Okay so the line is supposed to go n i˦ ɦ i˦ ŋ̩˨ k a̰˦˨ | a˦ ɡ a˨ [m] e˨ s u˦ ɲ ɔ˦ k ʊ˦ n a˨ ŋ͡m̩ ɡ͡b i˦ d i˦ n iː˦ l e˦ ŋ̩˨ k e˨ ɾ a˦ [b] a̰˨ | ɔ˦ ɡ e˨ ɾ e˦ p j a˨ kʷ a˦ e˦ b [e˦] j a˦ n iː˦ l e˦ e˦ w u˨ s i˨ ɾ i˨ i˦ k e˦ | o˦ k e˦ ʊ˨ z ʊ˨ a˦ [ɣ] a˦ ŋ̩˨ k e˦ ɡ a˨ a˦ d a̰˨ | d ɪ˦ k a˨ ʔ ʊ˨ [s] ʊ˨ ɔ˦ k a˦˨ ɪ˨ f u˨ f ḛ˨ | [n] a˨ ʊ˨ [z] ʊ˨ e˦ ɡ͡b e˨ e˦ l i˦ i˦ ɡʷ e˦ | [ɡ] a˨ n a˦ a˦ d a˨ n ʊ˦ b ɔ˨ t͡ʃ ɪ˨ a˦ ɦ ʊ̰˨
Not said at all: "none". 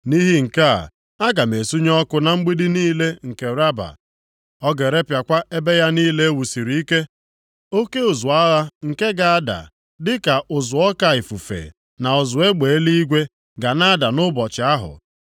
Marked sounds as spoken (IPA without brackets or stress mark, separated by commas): m, b, e˦, ɣ, z, n, z, ɡ